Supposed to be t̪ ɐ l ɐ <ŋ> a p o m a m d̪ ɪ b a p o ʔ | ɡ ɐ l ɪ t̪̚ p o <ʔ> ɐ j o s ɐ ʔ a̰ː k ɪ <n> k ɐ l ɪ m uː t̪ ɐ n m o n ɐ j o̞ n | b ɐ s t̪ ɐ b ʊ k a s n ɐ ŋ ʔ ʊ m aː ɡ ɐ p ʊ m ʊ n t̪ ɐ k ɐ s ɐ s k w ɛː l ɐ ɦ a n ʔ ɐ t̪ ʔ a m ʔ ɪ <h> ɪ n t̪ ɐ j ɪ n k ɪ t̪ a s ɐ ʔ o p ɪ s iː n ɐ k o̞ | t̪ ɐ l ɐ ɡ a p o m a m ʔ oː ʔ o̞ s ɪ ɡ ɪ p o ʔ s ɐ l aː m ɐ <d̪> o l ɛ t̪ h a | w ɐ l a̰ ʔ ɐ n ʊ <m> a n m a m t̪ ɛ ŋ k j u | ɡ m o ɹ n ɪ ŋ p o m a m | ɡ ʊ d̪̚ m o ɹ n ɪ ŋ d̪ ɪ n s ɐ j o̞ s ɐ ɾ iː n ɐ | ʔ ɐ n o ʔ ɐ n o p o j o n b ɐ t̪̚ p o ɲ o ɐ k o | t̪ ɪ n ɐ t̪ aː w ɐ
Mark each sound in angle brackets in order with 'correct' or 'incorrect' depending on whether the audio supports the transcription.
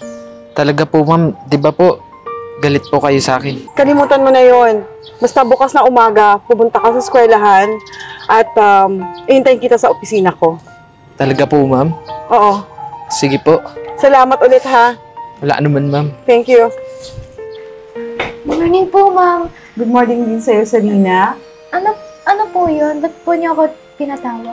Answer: incorrect: ɡ, incorrect: k, correct, correct, incorrect: t̪, correct

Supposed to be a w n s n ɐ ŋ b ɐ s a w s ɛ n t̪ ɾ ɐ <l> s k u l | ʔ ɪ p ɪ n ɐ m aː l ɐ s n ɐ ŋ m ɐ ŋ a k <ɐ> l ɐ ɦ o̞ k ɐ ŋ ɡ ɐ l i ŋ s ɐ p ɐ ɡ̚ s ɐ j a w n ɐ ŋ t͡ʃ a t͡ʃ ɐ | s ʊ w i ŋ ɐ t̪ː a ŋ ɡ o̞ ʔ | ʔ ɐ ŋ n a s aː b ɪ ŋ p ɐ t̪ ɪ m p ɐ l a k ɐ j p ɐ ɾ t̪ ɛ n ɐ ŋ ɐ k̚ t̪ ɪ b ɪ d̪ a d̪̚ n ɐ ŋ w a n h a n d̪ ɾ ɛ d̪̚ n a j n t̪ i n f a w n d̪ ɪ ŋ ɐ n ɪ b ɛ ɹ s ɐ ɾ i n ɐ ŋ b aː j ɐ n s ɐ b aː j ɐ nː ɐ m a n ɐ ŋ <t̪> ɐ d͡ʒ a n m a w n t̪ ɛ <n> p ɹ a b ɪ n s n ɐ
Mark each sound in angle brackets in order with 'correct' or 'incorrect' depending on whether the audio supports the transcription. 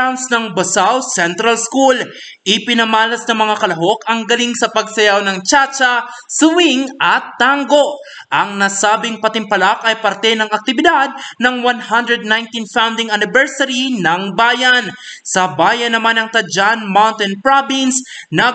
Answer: correct, correct, correct, correct

